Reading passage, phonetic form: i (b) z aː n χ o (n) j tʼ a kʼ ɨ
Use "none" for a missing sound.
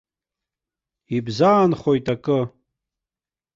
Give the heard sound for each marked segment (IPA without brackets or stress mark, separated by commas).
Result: b, none